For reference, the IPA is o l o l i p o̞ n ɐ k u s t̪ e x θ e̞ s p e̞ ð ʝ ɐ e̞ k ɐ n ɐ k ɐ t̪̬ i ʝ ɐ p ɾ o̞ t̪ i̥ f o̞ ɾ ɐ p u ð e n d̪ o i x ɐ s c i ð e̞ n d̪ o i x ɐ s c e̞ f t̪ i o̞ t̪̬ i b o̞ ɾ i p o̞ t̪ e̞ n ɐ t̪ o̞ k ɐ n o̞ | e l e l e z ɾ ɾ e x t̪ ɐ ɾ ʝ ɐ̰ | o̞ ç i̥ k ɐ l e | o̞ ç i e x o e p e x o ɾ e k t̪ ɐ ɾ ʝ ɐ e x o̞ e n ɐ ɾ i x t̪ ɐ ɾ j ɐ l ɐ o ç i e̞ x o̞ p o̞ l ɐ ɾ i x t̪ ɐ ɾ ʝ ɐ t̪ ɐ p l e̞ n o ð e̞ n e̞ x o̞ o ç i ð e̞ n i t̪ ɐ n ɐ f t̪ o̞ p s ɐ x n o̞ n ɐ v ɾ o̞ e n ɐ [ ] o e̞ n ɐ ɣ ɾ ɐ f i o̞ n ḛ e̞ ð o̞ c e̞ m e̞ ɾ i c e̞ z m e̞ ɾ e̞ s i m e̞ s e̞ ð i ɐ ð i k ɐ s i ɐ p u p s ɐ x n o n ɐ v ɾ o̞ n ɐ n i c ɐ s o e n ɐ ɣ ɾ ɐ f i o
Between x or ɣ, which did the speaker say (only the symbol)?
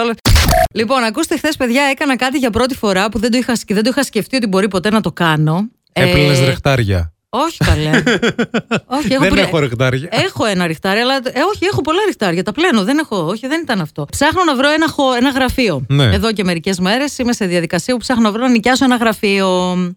x